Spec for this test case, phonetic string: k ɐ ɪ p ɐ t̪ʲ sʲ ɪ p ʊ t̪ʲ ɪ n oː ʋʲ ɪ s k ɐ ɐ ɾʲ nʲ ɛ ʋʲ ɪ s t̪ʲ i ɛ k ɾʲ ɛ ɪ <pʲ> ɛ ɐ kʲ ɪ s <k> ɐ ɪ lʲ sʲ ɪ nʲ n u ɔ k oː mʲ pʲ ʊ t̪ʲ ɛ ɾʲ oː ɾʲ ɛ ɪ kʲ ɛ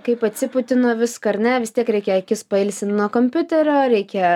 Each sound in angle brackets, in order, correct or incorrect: incorrect: kʲ, incorrect: p

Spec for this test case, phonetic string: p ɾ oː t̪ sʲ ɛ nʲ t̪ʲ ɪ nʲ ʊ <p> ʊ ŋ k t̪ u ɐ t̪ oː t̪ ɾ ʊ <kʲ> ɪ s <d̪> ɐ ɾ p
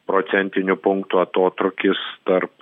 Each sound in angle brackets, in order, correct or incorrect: correct, correct, incorrect: t̪

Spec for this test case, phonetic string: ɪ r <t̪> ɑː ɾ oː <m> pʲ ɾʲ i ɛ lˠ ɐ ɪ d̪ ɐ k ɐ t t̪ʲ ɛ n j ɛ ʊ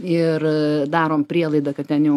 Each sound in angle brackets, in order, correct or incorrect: incorrect: d̪, correct

